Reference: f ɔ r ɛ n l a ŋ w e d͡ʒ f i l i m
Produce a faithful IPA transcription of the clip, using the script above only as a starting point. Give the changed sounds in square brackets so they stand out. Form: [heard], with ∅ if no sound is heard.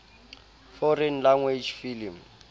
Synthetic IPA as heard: f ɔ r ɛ n l a ŋ w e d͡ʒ f i l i m